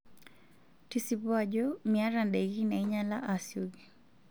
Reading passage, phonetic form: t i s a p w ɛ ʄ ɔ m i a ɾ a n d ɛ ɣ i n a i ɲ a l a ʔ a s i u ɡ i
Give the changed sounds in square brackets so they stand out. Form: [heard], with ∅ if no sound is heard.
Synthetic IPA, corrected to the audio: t i s [i] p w [a] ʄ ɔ m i a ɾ a n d ɛ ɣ i n a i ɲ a l a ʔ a s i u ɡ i